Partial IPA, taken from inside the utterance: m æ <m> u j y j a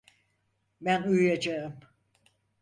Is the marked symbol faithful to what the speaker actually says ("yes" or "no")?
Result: no